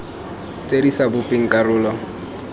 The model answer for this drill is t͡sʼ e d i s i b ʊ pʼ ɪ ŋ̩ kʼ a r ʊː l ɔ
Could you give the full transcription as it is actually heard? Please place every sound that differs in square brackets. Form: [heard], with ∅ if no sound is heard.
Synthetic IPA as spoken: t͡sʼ e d i s [a] b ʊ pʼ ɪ ŋ̩ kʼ a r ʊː l ɔ